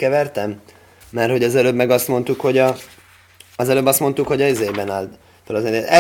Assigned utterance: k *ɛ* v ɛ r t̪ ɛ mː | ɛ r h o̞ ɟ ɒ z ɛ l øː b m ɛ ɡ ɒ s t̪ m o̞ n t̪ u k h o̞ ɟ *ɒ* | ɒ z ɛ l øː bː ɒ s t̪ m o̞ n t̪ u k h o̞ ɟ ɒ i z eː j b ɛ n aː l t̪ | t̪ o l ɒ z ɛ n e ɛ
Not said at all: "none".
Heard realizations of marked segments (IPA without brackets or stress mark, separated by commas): ɛ, ɒ